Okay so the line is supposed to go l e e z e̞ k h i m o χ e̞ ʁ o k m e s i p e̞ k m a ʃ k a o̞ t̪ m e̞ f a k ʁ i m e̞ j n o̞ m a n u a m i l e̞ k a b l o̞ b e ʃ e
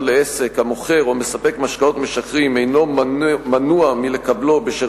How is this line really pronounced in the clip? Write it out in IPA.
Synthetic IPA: l e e s e̞ k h a m o χ e̞ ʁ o m e s a p e̞ k m a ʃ k a o̞ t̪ m e̞ ʃ a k ʁ i m e̞ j n o̞ m a n u a m i l e̞ k a b l o̞ b e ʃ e